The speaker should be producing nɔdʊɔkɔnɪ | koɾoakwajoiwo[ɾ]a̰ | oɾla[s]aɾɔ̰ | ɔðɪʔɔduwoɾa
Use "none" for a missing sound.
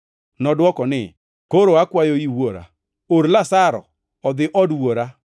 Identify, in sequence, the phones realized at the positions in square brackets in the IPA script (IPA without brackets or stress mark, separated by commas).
ɾ, s